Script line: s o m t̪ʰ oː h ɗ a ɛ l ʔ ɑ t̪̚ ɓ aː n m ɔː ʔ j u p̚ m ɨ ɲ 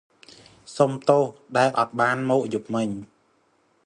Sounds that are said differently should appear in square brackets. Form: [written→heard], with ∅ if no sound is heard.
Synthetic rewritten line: s o m [t̪ʰ→t̪] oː h ɗ a ɛ l ʔ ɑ t̪̚ ɓ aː n m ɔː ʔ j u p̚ m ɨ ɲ

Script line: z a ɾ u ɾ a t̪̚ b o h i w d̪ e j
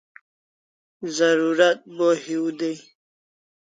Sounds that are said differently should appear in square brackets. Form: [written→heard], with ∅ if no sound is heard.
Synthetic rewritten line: z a ɾ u ɾ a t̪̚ b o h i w d̪ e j

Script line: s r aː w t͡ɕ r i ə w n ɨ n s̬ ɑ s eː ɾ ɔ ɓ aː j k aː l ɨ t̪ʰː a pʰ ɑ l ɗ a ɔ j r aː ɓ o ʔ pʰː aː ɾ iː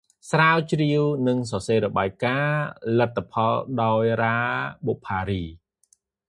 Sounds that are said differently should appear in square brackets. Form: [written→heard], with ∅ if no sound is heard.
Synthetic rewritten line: s r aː w t͡ɕ r i ə w n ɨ [n→ŋ] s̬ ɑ s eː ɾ ɔ ɓ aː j k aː l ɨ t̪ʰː a pʰ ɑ l ɗ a ɔ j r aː ɓ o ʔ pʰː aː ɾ iː

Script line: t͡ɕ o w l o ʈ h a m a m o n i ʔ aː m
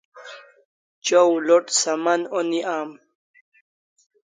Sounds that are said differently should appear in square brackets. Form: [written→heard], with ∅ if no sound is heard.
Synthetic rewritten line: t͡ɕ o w l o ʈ [h→s] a m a [m→n] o n i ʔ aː m

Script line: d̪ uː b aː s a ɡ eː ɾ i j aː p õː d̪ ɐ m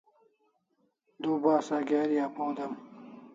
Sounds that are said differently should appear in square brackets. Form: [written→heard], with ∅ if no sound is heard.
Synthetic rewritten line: d̪ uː b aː s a ɡ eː ɾ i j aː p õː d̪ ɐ m

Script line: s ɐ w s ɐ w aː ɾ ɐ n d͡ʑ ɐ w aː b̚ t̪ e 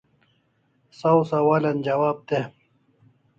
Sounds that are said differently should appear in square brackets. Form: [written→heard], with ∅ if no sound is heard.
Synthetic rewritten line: s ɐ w s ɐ w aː [ɾ→l] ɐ n d͡ʑ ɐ w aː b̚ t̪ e

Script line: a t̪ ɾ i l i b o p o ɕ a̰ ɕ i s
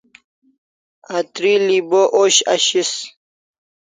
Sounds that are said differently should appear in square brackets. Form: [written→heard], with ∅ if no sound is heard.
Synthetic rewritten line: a t̪ ɾ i l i b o [p→ʔ] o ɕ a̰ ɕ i s

